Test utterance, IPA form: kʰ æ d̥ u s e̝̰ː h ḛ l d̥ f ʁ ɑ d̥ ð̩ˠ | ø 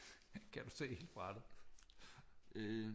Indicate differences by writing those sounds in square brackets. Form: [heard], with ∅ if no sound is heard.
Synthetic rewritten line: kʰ æ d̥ u s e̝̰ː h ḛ l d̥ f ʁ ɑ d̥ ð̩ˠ | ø